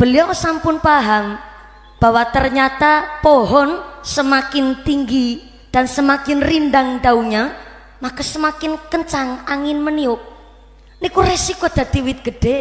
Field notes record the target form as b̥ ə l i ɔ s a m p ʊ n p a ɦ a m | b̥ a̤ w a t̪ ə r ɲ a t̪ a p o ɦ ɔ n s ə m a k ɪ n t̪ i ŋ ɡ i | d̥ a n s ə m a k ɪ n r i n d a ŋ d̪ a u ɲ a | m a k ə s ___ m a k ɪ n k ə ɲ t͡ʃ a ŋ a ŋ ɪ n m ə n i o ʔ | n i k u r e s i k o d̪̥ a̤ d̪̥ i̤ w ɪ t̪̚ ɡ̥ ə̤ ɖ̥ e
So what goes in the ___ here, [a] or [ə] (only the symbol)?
ə